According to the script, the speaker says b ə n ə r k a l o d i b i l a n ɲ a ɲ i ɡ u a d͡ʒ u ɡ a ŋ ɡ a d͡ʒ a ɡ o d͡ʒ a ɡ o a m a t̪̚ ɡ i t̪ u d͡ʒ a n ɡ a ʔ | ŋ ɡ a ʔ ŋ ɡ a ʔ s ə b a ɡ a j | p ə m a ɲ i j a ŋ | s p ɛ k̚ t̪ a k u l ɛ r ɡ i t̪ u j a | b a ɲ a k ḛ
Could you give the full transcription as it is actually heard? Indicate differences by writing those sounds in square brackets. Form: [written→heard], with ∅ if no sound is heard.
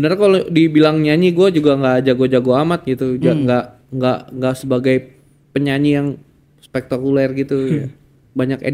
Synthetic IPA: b ə n ə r k a l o d i b i l a [n→ŋ] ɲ a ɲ i ɡ u a d͡ʒ u ɡ a ŋ ɡ a d͡ʒ a ɡ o d͡ʒ a ɡ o a m a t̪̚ ɡ i t̪ u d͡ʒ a [n→ŋ] ɡ a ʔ | ŋ ɡ a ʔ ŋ ɡ a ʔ s ə b a ɡ a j | p ə [m→ɲ] a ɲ i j a ŋ | s p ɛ k̚ t̪ a k u l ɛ r ɡ i t̪ u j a | b a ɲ a k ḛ

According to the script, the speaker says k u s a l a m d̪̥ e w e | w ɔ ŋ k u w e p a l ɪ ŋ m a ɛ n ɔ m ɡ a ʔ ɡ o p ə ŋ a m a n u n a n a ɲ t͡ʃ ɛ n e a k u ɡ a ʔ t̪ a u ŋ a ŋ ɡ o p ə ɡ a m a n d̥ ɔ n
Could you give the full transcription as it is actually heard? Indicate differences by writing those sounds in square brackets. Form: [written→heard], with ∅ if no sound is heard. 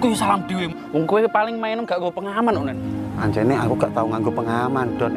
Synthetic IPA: k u s a l a m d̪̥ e w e | w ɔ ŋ k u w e p a l ɪ ŋ m a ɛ n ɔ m ɡ a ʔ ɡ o p ə ŋ a m a n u n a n a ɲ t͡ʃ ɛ n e a k u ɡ a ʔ t̪ a u ŋ a ŋ ɡ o p ə [ɡ→ŋ] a m a n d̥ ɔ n

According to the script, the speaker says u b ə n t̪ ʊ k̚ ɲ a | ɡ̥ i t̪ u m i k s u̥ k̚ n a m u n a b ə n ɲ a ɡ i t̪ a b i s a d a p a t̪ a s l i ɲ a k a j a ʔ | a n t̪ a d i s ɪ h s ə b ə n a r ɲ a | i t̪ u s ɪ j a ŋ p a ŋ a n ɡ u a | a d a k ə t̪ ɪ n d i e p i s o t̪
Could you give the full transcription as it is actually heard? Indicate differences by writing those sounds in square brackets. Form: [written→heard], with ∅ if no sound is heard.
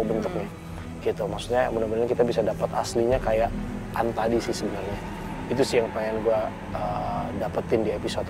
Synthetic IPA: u b ə n t̪ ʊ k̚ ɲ a | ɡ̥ i t̪ u m [i→a] k s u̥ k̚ [n→ɲ] a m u n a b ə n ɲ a [ɡ→k] i t̪ a b i s a d a p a t̪ a s l i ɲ a k a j a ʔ | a n t̪ a d i s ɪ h s ə b ə n a r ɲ a | i t̪ u s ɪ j a ŋ p a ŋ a n ɡ u a | [a→ə] d a [k→p] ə t̪ ɪ n d i e p i s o t̪

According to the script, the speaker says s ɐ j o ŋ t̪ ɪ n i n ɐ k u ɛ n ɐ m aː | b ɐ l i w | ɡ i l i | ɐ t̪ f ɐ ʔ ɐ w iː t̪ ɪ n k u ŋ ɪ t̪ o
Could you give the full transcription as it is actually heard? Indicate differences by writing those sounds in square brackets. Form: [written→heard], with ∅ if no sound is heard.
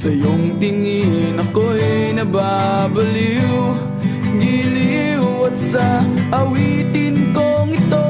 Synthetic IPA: s ɐ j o ŋ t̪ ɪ [n→ŋ] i n ɐ k [u→o] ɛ n ɐ [m→b] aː | b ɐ l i w | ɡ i l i | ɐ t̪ [f→s] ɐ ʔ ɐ w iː t̪ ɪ n k [u→o] ŋ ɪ t̪ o

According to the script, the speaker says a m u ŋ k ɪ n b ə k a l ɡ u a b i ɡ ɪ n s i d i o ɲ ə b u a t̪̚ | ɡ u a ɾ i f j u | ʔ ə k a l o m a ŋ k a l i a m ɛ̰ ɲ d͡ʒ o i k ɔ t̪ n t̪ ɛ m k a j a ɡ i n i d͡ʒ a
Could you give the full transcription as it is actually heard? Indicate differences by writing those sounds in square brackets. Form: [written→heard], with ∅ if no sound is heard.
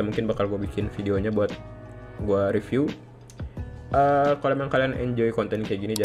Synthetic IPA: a m u ŋ k ɪ n b [ə→a] k a l ɡ u a b i [ɡ→k] ɪ n [s→f] i d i o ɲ [ə→a] b u a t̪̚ | ɡ u a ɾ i f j u | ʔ ə k a l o m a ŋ k a l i a [m→n] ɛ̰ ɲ d͡ʒ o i k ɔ [t̪→∅] n t̪ ɛ [m→n] k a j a ɡ i n i d͡ʒ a

